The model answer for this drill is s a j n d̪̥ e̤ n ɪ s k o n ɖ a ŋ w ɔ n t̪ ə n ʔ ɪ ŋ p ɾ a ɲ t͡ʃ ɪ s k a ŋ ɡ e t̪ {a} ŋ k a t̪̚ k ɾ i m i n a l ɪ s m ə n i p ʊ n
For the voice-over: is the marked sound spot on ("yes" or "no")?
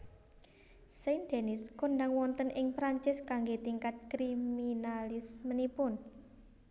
no